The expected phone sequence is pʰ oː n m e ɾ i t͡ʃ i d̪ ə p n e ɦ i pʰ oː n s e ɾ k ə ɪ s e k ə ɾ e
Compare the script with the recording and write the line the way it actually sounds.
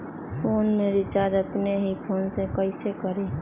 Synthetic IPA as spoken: pʰ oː n m e ɾ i t͡ʃ a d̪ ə p n e ɦ i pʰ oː n s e k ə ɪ s e k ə ɾ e